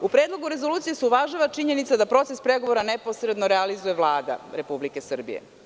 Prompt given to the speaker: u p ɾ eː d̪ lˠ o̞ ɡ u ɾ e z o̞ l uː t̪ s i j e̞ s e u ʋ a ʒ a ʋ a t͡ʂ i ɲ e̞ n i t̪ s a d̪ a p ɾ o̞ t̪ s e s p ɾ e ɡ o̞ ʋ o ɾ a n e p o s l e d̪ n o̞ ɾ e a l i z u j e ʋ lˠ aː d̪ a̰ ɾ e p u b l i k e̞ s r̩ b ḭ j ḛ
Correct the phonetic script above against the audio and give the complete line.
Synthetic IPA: u p ɾ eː d̪ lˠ o̞ ɡ u ɾ e z o̞ l uː t̪ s i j e̞ s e u ʋ a ʒ a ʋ a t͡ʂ i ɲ e̞ n i t̪ s a d̪ a p ɾ o̞ t̪ s e s p ɾ e ɡ o̞ ʋ o ɾ a n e p o s ɾ e d̪ n o̞ ɾ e a l i z u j e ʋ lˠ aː d̪ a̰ ɾ e p u b l i k e̞ s r̩ b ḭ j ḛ

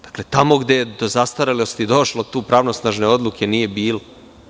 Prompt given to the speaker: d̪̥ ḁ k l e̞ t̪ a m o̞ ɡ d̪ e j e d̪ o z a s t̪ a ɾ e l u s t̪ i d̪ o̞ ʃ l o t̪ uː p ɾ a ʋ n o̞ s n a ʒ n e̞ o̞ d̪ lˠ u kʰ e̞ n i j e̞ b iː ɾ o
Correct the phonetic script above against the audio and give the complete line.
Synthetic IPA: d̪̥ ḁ k l e̞ t̪ a m o̞ ɡ d̪ e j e d̪ o z a s t̪ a ɾ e l o s t̪ i d̪ o̞ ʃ l o t̪ uː p ɾ a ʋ n o̞ s n a ʒ n e̞ o̞ d̪ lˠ u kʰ e̞ n i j e̞ b iː l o

